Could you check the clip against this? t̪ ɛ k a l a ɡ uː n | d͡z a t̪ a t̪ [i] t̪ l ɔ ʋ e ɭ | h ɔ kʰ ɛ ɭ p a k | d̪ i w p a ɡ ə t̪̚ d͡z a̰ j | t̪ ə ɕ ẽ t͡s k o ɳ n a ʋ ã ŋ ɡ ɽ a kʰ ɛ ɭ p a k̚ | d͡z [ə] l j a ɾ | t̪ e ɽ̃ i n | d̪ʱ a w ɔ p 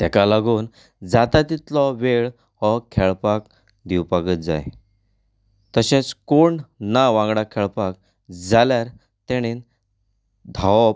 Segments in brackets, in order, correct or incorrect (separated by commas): correct, incorrect